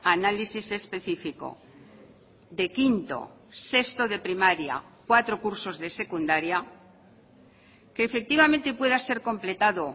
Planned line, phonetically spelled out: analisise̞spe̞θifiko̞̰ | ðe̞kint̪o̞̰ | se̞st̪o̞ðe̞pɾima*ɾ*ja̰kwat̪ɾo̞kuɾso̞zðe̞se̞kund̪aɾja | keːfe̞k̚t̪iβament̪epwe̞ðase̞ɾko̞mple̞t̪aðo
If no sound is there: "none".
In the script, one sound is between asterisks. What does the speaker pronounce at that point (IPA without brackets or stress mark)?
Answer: ɾ